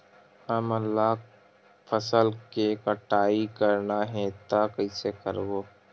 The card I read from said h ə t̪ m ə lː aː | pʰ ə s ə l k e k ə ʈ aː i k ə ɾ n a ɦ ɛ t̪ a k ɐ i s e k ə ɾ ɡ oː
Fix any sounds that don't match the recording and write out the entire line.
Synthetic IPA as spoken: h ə m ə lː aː | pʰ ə s ə l k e k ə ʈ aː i k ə ɾ n a ɦ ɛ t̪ a k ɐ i s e k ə ɾ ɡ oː